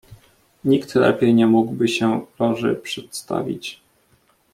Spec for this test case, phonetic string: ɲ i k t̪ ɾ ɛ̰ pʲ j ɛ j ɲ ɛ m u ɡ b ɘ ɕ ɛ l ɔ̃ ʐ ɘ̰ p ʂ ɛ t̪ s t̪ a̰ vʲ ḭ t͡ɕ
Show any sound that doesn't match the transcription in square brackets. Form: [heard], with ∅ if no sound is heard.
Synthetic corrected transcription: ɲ i k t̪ [l] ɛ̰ pʲ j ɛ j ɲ ɛ m u ɡ b ɘ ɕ ɛ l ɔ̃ ʐ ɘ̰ p ʂ ɛ t̪ s t̪ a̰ vʲ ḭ t͡ɕ